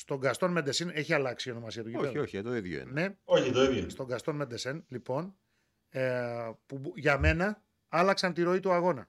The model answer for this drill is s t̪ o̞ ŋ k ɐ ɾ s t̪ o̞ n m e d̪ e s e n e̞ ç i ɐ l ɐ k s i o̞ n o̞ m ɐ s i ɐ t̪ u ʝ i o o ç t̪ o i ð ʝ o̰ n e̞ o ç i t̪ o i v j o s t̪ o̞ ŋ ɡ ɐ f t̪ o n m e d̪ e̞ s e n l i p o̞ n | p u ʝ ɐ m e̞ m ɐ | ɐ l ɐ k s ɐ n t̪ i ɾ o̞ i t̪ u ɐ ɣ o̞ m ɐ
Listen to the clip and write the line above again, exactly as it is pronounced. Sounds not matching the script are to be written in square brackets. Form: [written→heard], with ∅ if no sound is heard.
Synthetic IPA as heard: s t̪ o̞ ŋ [k→ɡ] ɐ [ɾ→∅] s t̪ o̞ n m e d̪ e s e n e̞ ç i ɐ l ɐ k s i o̞ n o̞ m ɐ s i ɐ t̪ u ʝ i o o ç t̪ o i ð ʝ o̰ n e̞ o ç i t̪ o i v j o s t̪ o̞ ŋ ɡ ɐ [f→s] t̪ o n m e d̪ e̞ s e n l i p o̞ n | p u ʝ ɐ m e̞ [m→n] ɐ | ɐ l ɐ k s ɐ n t̪ i ɾ o̞ i t̪ u ɐ ɣ o̞ [m→n] ɐ